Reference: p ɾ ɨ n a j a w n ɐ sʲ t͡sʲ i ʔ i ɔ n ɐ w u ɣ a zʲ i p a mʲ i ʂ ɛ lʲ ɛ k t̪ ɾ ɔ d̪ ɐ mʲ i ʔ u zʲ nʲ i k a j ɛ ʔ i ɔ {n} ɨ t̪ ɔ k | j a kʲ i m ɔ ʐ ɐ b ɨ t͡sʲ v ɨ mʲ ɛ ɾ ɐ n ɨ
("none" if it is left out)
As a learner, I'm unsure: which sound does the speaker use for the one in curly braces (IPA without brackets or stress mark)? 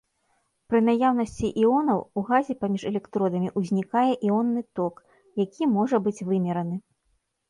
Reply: nː